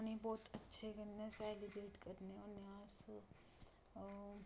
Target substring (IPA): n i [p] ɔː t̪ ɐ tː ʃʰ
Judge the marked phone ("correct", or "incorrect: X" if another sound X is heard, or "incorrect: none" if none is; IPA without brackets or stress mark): incorrect: b